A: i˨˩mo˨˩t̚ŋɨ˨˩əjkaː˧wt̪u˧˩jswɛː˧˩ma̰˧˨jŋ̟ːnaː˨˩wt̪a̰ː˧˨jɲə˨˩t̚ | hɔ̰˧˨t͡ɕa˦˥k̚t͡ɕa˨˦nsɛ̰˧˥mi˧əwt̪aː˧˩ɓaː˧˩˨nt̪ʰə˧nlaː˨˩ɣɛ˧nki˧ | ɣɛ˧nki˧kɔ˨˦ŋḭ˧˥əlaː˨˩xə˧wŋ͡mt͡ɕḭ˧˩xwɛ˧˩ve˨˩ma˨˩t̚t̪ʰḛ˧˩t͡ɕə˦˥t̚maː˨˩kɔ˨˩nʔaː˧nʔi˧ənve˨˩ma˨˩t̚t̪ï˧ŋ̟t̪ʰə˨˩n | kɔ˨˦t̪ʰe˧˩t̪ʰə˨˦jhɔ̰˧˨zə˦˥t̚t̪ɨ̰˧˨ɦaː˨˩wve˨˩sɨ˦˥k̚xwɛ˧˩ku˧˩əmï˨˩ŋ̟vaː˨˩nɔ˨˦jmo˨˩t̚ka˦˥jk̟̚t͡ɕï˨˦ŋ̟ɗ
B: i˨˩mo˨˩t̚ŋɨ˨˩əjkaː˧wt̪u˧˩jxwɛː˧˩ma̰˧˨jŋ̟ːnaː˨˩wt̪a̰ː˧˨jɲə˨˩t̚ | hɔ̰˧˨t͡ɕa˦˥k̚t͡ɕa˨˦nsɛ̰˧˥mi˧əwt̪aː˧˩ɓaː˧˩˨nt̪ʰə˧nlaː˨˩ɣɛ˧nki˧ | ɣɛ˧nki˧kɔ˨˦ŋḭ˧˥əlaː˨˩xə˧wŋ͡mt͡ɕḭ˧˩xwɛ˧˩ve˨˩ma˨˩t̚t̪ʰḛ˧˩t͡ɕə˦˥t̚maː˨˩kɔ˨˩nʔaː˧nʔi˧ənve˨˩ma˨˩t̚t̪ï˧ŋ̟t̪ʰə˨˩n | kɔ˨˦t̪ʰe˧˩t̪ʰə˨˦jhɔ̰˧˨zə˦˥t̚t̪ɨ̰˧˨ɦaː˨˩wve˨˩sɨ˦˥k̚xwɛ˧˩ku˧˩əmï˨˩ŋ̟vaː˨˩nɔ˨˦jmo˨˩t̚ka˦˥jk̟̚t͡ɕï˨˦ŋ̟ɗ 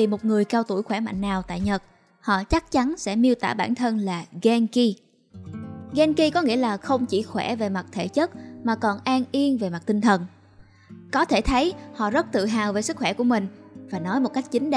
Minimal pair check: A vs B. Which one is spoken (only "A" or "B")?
B